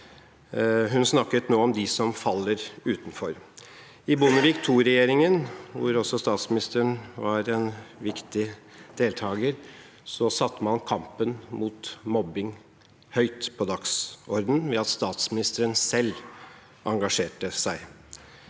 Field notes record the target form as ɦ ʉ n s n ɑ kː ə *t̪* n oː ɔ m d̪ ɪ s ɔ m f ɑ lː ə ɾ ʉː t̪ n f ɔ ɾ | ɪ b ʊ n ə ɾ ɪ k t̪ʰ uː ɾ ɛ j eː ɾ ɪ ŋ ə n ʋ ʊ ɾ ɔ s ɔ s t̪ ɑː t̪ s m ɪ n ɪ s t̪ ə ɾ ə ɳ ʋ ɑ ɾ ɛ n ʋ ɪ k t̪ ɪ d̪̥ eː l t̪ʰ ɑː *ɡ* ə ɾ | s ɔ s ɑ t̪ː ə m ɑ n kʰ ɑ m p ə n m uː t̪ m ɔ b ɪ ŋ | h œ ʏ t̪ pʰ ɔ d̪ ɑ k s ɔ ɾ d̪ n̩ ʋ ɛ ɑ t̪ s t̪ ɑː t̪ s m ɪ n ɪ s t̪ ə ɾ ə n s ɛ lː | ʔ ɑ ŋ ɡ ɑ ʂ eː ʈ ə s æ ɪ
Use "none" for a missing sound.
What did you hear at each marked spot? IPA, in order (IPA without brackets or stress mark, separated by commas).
t̪, ɡ